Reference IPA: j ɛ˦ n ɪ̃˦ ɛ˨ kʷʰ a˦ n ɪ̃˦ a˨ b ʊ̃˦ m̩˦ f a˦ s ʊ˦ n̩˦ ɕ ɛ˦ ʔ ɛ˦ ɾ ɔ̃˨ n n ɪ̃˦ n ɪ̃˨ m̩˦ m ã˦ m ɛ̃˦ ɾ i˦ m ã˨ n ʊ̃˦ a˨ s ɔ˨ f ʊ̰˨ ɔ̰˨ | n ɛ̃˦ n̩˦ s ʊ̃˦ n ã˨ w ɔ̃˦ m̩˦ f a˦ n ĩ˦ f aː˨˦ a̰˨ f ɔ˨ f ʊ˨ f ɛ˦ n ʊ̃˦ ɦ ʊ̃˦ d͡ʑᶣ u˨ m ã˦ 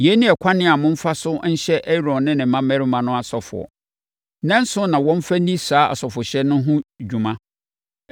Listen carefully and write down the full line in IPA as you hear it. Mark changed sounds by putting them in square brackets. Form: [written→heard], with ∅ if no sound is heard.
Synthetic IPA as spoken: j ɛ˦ n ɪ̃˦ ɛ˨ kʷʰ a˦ n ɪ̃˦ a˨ [b→m] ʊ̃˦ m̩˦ f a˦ s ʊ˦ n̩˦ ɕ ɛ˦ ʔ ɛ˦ ɾ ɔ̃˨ n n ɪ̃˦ n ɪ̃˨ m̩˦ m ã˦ m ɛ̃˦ ɾ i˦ m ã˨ n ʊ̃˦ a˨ s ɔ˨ f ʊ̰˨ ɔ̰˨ | n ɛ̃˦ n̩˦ s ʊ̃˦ n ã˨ w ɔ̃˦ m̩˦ f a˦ n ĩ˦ [f→s] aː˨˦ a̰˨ [f→s] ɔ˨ f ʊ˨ [f→ɕ] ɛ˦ n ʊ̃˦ ɦ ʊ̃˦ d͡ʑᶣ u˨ m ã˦

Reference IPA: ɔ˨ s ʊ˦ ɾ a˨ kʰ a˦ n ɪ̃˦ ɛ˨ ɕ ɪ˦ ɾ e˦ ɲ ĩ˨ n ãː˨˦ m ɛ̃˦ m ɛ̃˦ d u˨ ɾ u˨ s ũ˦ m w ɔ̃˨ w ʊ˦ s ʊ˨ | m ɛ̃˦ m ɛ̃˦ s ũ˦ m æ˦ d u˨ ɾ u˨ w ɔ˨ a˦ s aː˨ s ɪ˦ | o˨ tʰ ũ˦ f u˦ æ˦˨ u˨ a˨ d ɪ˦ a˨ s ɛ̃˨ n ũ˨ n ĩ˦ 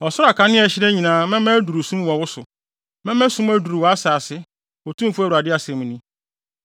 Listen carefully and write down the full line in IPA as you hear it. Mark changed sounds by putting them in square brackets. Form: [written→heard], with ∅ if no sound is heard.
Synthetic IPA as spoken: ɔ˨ s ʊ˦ ɾ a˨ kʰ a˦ n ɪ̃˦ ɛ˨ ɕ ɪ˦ ɾ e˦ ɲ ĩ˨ n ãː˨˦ m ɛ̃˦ m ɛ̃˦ d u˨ ɾ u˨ s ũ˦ m w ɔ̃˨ w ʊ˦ s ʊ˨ | m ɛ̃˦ m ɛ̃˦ s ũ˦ m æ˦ d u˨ ɾ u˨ w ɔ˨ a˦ s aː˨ s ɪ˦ | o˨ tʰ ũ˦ f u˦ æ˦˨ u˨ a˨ d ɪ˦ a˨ s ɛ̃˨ [n→m] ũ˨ n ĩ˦

